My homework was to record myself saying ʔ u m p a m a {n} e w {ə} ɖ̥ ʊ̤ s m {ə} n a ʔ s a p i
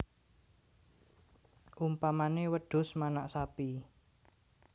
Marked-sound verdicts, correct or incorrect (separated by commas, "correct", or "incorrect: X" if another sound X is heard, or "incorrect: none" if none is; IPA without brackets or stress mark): correct, correct, incorrect: a